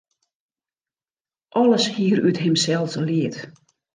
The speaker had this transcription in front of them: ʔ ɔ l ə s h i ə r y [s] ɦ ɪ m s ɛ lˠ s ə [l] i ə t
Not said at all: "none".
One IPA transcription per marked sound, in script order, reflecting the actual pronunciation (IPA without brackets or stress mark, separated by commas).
t, l